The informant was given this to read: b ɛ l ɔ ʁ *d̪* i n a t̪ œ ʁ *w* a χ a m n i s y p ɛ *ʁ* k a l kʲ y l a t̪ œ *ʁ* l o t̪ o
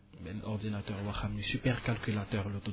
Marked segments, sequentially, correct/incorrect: correct, correct, correct, correct

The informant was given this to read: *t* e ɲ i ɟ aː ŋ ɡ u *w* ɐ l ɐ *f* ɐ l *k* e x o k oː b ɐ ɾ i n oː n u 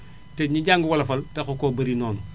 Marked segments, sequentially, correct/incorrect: correct, correct, correct, incorrect

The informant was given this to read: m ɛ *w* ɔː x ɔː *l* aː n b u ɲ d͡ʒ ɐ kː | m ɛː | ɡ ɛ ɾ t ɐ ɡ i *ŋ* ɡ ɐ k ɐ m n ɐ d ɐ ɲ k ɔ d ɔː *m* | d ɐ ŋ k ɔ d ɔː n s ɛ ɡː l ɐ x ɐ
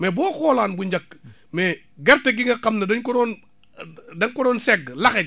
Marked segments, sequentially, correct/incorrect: incorrect, correct, correct, incorrect

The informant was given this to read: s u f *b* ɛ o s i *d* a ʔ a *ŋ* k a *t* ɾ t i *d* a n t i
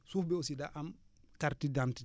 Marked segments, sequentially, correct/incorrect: correct, correct, incorrect, incorrect, correct

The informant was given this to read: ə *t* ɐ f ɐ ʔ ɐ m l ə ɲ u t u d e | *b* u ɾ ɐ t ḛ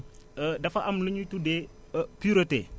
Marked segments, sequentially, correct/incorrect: incorrect, incorrect

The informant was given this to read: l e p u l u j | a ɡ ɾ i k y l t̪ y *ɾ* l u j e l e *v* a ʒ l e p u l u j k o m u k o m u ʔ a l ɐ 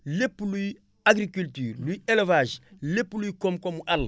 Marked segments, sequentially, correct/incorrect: correct, correct

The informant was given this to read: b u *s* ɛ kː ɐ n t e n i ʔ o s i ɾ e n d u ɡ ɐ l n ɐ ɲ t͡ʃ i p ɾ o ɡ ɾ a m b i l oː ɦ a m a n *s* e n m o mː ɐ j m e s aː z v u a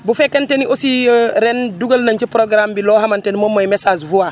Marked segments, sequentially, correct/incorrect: incorrect, incorrect

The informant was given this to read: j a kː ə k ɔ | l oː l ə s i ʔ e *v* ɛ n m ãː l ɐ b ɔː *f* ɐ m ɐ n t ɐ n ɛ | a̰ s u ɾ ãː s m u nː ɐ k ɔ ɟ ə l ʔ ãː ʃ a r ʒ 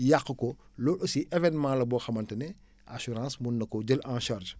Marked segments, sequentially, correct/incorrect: correct, incorrect

